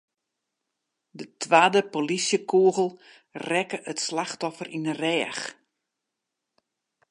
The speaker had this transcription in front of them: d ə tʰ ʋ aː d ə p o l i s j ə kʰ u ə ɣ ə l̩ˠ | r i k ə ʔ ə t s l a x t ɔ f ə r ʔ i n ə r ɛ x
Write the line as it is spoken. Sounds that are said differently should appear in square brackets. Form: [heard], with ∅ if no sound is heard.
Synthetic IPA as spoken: d ə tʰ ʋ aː d ə p o l i s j ə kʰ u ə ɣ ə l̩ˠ | r [ɛ] k ə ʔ ə t s l a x t ɔ f ə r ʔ i n ə r [ɛː] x

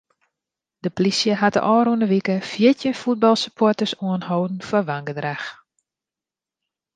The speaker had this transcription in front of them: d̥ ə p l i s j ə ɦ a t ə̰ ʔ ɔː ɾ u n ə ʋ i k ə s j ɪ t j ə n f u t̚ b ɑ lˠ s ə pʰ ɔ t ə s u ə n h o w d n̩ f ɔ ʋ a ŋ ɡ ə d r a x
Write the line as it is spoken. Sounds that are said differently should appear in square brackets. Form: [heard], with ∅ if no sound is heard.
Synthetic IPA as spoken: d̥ ə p l i s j ə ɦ a t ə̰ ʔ ɔː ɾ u n ə ʋ i k ə [f] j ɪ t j ə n f u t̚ b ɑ lˠ s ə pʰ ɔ t ə s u ə n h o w d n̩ f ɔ ʋ a ŋ ɡ ə d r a x

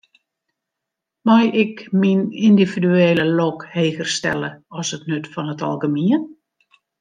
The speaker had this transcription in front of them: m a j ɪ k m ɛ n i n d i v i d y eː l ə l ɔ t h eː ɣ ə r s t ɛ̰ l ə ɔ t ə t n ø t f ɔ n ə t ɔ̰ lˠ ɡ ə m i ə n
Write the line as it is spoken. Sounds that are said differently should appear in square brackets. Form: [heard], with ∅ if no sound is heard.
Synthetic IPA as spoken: m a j ɪ k m [i] n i n d i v i d y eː l ə l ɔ [k] h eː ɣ ə r s t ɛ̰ l ə ɔ [s] ə t n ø t f ɔ n ə t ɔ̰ lˠ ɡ ə m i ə n

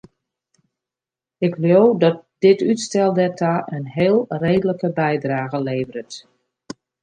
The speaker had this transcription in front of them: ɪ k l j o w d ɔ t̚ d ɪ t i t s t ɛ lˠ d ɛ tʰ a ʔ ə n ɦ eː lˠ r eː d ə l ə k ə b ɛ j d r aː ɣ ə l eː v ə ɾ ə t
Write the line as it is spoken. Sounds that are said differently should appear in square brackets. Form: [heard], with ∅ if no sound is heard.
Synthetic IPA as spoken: ɪ k l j o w d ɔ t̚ d ɪ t [y] t s t ɛ lˠ d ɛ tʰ a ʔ ə n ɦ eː lˠ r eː d ə l ə k ə b ɛ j d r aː ɣ ə l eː v ə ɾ ə t

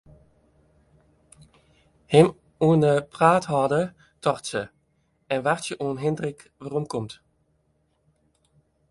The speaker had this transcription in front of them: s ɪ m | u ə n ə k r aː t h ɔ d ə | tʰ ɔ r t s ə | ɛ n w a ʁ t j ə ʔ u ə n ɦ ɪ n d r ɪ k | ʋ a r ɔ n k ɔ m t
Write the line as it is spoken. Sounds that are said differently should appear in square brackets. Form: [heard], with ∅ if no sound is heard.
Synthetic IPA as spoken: [h] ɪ m | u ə n ə [p] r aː t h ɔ d ə | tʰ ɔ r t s ə | ɛ n [ʋ] a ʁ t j ə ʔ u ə n ɦ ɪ n d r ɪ k | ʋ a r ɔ [m] k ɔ m t

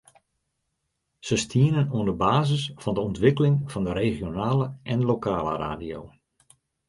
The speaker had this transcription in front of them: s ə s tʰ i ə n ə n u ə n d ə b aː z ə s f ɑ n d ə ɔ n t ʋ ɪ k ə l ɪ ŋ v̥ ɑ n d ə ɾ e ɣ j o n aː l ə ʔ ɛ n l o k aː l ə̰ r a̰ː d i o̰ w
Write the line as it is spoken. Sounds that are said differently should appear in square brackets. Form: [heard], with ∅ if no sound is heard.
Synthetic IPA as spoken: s ə s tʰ i ə n ə n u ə n d ə b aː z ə s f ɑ n d ə ɔ n t ʋ ɪ k ə l ɪ ŋ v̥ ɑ n d ə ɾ e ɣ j o n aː l ə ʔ ɛ n l o k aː l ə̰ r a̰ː d i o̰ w

